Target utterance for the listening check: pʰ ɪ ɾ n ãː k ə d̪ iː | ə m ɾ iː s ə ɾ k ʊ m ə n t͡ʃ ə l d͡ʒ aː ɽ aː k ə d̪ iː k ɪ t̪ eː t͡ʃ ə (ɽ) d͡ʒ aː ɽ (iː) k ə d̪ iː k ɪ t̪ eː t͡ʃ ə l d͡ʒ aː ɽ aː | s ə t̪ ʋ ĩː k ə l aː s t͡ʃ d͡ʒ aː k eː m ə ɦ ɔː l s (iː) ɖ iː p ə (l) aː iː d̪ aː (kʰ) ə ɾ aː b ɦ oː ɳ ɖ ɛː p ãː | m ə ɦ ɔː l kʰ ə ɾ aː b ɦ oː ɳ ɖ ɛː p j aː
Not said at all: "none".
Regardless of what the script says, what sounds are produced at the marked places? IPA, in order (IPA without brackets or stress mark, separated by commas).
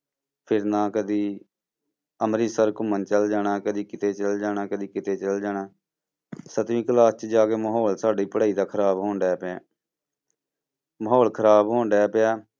l, aː, aː, ɽ, kʰ